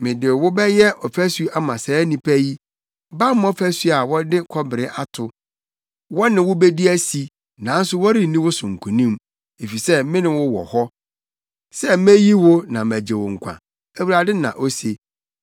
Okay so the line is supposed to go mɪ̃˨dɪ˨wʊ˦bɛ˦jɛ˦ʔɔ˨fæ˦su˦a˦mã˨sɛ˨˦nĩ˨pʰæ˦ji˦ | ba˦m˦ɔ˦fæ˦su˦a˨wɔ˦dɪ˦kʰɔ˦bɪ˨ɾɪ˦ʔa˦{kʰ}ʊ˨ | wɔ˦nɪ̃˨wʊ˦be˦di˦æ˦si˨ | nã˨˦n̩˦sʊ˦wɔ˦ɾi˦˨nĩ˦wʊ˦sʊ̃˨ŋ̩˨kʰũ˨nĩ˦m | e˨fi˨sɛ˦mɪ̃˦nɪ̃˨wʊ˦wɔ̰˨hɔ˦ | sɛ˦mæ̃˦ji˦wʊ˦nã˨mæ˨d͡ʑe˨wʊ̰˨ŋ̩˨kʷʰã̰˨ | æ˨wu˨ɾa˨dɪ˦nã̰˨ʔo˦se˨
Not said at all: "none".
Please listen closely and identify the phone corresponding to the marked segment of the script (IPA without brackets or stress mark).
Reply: tʰ